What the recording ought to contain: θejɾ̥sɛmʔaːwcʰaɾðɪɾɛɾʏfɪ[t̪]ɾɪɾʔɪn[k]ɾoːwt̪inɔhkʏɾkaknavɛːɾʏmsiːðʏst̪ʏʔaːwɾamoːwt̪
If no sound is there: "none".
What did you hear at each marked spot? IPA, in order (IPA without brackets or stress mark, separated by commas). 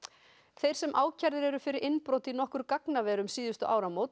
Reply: none, p